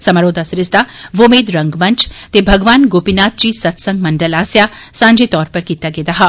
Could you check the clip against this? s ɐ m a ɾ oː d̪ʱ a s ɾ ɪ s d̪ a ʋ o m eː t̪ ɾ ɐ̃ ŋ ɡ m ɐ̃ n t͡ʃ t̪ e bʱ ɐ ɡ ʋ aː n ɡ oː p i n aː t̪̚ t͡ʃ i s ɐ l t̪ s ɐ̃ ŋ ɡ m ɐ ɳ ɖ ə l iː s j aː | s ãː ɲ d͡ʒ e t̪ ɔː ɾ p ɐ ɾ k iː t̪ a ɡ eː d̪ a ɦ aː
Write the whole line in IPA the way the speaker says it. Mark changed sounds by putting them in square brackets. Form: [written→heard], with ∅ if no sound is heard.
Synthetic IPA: s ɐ m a ɾ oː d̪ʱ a s ɾ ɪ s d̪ a ʋ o m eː [t̪→d̪] ɾ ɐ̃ ŋ ɡ m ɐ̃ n t͡ʃ t̪ e bʱ ɐ ɡ ʋ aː n ɡ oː p i n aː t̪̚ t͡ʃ i s ɐ [l→∅] t̪ s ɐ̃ ŋ ɡ m ɐ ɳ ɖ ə l [iː→aː] s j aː | s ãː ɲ d͡ʒ e t̪ ɔː ɾ p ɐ ɾ k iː t̪ a ɡ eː d̪ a ɦ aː